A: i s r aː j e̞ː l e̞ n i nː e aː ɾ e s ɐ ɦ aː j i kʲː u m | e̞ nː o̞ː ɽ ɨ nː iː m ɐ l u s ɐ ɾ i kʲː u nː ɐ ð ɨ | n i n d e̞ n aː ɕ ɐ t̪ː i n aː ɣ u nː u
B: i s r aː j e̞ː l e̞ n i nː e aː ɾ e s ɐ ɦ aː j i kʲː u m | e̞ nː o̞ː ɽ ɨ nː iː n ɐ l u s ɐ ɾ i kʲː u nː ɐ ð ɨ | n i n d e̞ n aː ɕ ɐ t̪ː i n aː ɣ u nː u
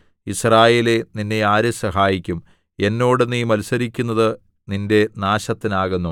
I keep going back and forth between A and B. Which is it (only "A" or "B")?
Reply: A